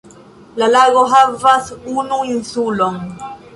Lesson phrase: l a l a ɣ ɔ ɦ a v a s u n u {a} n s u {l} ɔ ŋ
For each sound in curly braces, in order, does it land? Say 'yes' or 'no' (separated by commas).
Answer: no, yes